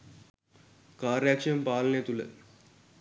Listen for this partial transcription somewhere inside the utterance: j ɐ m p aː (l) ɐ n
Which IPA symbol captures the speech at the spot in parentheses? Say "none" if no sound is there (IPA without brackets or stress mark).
l